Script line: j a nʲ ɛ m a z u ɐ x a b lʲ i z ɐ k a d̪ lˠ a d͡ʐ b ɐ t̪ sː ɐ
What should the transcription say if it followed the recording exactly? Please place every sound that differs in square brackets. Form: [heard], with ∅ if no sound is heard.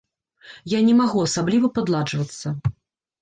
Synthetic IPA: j a nʲ ɛ m a [ɣ] u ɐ [s] a b lʲ i [v] ɐ [p] a d̪ lˠ a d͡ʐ [v] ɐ t̪ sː ɐ